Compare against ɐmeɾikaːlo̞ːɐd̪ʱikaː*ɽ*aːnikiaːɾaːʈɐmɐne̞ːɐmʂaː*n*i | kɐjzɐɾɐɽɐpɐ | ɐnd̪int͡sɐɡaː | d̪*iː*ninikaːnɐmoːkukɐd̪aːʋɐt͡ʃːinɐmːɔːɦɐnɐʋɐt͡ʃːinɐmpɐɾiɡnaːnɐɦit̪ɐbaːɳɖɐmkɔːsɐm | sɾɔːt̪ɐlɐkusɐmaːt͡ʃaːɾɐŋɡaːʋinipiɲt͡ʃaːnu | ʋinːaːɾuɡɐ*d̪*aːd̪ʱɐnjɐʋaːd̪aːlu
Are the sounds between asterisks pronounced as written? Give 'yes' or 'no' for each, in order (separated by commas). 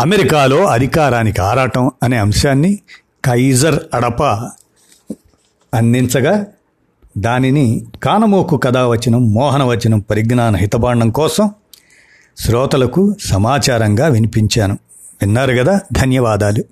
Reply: no, no, no, yes